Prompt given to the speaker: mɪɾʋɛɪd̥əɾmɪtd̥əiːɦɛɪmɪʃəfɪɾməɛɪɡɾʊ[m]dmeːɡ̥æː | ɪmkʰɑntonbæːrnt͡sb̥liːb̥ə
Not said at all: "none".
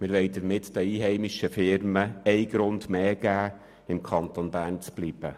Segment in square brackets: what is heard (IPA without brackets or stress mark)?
n